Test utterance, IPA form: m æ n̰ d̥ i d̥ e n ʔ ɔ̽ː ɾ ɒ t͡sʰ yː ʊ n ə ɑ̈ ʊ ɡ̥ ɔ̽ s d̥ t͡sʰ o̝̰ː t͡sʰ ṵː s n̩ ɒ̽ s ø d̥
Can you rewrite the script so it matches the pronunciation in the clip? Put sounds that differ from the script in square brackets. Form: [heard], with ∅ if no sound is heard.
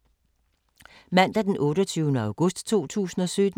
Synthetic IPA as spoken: m æ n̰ d̥ [æ] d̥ e n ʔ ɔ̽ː ɾ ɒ t͡sʰ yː ʊ n ə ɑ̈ ʊ ɡ̥ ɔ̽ s d̥ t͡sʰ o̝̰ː t͡sʰ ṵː s n̩ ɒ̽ s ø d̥